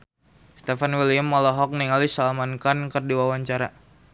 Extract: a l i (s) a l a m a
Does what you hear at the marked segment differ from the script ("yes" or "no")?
no